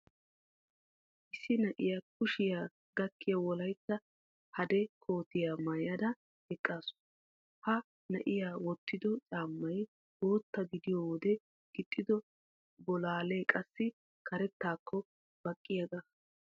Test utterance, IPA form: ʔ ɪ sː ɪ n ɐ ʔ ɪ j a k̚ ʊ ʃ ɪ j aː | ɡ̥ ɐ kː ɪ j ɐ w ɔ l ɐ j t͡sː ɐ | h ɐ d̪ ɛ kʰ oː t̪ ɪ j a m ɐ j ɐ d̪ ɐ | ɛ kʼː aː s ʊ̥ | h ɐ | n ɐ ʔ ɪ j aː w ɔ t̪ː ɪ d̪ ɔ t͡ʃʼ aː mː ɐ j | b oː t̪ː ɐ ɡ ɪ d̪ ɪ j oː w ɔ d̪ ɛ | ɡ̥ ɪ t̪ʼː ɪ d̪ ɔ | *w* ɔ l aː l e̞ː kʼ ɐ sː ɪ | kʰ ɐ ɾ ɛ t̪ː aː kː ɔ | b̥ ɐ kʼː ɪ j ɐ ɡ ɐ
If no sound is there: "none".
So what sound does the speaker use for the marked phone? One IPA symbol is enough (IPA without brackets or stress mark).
b